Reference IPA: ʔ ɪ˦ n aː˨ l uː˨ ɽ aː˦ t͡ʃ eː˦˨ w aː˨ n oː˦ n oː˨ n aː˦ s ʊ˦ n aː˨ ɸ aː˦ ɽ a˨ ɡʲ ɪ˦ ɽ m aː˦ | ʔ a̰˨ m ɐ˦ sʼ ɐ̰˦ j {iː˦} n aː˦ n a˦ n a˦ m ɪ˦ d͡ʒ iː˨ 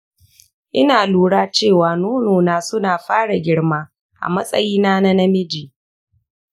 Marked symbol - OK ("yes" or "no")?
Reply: yes